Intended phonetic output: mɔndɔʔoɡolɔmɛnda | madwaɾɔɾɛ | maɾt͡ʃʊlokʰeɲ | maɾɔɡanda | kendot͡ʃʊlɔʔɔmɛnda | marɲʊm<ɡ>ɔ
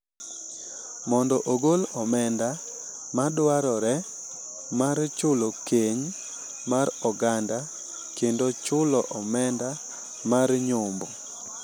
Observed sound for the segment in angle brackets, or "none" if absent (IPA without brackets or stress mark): b